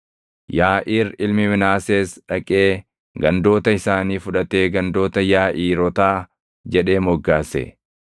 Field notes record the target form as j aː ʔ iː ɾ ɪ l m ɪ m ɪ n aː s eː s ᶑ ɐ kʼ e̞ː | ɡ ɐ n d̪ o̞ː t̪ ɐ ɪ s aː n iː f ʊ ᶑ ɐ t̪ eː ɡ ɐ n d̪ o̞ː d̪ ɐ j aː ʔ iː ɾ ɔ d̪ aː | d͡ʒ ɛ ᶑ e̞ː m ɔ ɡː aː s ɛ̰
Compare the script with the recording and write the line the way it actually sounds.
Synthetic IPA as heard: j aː ʔ iː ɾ ɪ l m ɪ m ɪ n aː s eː s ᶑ ɐ kʼ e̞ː | ɡ ɐ n d̪ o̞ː t̪ ɐ ɪ s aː n iː f ʊ ᶑ ɐ t̪ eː ɡ ɐ n d̪ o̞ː t̪ ɐ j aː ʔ iː ɾ ɔ t̪ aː | d͡ʒ ɛ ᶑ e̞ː m ɔ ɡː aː s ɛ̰

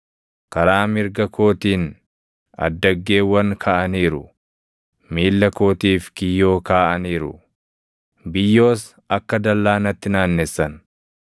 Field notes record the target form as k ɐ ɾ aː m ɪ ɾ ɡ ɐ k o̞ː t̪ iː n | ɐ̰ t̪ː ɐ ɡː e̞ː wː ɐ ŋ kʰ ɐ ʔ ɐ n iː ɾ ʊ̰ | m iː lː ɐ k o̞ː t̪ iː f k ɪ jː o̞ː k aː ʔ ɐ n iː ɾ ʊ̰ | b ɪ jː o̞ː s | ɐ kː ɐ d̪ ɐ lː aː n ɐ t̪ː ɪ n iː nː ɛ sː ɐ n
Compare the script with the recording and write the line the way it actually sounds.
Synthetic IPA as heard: k ɐ ɾ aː m ɪ ɾ ɡ ɐ k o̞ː t̪ iː n | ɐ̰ d̪ː ɐ ɡː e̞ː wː ɐ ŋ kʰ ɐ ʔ ɐ n iː ɾ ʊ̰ | m iː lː ɐ k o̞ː t̪ iː f k ɪ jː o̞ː k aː ʔ ɐ n iː ɾ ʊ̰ | b ɪ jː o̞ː s | ɐ kː ɐ d̪ ɐ lː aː n ɐ t̪ː ɪ n aː nː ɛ sː ɐ n

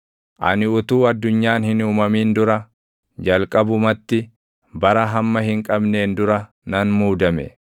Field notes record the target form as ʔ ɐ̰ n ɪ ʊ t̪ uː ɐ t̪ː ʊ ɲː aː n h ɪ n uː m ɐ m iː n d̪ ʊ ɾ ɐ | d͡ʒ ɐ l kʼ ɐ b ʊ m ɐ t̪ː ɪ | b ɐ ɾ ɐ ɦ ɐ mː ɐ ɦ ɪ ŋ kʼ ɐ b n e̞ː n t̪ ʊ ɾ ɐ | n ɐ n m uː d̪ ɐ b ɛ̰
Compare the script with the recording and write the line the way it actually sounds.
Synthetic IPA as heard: ʔ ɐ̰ n ɪ ʊ t̪ uː ɐ d̪ː ʊ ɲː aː n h ɪ n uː m ɐ m iː n d̪ ʊ ɾ ɐ | d͡ʒ ɐ l kʼ ɐ b ʊ m ɐ t̪ː ɪ | b ɐ ɾ ɐ ɦ ɐ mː ɐ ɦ ɪ ŋ kʼ ɐ b n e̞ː n d̪ ʊ ɾ ɐ | n ɐ n m uː d̪ ɐ m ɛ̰

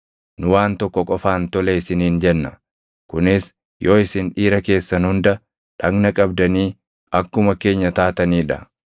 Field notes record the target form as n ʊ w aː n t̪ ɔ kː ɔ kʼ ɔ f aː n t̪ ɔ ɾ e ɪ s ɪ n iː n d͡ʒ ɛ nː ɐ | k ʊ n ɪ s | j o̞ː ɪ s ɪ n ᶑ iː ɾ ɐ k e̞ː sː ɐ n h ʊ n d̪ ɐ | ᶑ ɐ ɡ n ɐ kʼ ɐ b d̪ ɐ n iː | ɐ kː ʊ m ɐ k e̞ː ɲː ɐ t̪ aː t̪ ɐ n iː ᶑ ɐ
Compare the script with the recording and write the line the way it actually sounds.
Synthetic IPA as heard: n ʊ w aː n t̪ ɔ kː ɔ kʼ ɔ f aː n t̪ ɔ l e ɪ s ɪ n iː n d͡ʒ ɛ nː ɐ | k ʊ n ɪ s | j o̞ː ɪ s ɪ n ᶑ iː ɾ ɐ k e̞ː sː ɐ n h ʊ n d̪ ɐ | ᶑ ɐ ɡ n ɐ kʼ ɐ b d̪ ɐ n iː | ɐ kː ʊ m ɐ k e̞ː ɲː ɐ t̪ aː t̪ ɐ n iː ᶑ ɐ

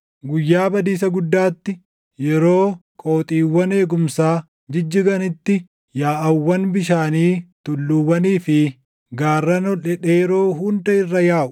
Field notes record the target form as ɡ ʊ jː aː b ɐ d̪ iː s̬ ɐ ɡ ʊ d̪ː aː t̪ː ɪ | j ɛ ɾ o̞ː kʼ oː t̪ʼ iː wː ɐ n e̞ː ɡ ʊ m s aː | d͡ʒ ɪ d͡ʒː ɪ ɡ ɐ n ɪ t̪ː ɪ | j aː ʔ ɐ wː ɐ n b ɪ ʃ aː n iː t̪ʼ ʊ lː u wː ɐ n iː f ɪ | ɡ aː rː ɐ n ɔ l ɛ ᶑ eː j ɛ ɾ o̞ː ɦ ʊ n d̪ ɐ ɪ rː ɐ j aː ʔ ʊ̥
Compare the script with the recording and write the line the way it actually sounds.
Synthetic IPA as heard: ɡ ʊ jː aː b ɐ d̪ iː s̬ ɐ ɡ ʊ d̪ː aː t̪ː ɪ | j ɛ ɾ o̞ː kʼ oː t̪ʼ iː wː ɐ n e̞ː ɡ ʊ m s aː | d͡ʒ ɪ d͡ʒː ɪ ɡ ɐ n ɪ t̪ː ɪ | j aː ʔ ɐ wː ɐ n b ɪ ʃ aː n iː t̪ ʊ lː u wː ɐ n iː f ɪ | ɡ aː rː ɐ n ɔ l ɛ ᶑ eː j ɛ ɾ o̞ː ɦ ʊ n d̪ ɐ ɪ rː ɐ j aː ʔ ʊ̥

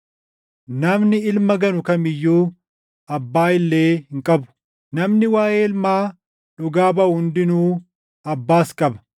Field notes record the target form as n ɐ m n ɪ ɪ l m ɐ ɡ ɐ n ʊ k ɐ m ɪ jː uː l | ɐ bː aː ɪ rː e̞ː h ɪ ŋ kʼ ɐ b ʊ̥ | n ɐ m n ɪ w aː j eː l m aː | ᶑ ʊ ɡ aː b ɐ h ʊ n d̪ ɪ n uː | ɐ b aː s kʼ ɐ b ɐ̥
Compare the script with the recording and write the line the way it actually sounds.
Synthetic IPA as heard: n ɐ m n ɪ ɪ l m ɐ ɡ ɐ n ʊ k ɐ m ɪ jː uː | ɐ bː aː ɪ lː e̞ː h ɪ ŋ kʼ ɐ b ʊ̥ | n ɐ m n ɪ w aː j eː l m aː | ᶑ ʊ ɡ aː b ɐ h ʊ n d̪ ɪ n uː | ɐ bː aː s kʼ ɐ b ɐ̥

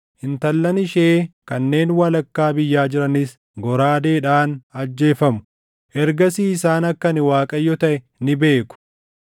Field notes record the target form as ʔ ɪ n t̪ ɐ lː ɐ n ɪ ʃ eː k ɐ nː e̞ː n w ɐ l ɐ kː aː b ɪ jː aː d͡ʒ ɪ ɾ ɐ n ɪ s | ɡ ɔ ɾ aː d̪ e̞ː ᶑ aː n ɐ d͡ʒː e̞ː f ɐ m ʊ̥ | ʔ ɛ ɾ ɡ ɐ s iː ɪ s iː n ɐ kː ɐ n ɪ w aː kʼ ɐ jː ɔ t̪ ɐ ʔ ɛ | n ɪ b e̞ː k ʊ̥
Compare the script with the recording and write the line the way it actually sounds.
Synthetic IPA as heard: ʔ ɪ n t̪ ɐ lː ɐ n ɪ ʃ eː k ɐ nː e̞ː n w ɐ l ɐ kː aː b ɪ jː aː d͡ʒ ɪ ɾ ɐ n ɪ s | ɡ ɔ ɾ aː d̪ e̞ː ᶑ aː n ɐ d͡ʒː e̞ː f ɐ m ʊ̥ | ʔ ɛ ɾ ɡ ɐ s iː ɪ s aː n ɐ kː ɐ n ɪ w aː kʼ ɐ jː ɔ t̪ ɐ ʔ ɛ | n ɪ b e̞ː k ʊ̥

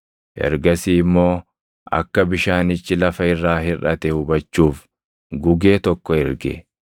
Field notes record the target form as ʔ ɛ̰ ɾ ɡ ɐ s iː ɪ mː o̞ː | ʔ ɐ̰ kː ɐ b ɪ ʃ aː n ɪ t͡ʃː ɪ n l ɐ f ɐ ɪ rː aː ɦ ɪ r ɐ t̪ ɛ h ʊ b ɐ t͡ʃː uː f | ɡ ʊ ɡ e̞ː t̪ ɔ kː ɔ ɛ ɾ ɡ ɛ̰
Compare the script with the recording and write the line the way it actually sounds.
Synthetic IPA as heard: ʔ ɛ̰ ɾ ɡ ɐ s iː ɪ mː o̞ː | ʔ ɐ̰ kː ɐ b ɪ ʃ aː n ɪ t͡ʃː ɪ l ɐ f ɐ ɪ rː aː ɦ ɪ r ɐ t̪ ɛ h ʊ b ɐ t͡ʃː uː f | ɡ ʊ ɡ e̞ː t̪ ɔ kː ɔ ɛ ɾ ɡ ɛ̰

